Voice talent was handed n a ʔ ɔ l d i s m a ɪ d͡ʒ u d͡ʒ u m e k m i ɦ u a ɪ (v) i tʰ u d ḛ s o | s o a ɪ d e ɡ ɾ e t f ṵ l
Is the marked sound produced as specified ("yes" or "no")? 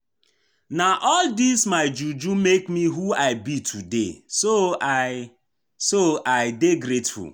no